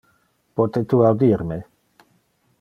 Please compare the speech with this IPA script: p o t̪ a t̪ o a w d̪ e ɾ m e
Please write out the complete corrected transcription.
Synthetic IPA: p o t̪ e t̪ u a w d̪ i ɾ m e